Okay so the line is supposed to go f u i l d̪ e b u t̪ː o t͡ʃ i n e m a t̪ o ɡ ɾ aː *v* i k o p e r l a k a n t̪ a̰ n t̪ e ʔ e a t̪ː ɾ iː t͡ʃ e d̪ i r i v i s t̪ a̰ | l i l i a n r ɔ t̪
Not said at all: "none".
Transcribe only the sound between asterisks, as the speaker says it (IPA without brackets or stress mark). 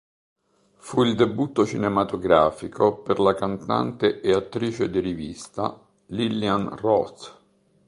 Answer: f